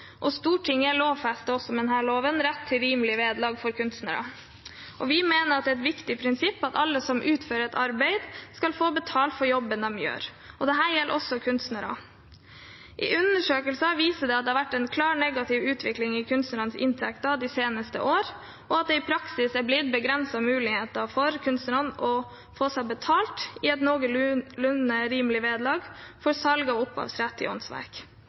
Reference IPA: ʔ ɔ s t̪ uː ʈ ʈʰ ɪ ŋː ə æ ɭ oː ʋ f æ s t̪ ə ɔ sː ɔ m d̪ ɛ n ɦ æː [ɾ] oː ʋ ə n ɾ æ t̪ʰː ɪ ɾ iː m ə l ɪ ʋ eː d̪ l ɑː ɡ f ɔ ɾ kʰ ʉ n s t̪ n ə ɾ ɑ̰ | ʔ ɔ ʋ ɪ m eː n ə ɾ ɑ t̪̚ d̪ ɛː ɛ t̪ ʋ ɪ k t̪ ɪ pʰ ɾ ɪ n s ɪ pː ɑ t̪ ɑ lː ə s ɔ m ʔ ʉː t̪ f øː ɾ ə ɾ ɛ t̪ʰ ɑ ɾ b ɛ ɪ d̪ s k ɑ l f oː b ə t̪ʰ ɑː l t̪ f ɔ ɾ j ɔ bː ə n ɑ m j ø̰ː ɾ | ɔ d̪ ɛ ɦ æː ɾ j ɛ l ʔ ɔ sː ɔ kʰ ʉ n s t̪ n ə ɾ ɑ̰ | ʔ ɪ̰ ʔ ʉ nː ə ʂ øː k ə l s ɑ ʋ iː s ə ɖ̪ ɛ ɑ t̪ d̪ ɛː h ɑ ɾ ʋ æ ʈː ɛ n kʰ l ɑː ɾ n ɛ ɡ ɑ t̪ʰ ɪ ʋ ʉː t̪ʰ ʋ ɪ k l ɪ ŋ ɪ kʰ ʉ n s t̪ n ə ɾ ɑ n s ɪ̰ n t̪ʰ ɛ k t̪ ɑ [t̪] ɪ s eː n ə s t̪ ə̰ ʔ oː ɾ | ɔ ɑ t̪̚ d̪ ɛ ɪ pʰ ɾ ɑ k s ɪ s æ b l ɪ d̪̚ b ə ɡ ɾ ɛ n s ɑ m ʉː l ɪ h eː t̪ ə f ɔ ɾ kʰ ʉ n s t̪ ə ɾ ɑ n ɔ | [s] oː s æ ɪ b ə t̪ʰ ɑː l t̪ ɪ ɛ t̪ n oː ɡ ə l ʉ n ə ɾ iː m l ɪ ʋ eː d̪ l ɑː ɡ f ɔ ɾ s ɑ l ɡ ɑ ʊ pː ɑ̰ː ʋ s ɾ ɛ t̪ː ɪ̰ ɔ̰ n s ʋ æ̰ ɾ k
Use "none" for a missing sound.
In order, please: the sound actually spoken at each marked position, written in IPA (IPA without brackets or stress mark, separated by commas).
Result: ɭ, d̪, f